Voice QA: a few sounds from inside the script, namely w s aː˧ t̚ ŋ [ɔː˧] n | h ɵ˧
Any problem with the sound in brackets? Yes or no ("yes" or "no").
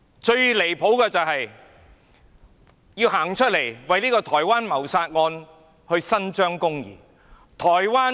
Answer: no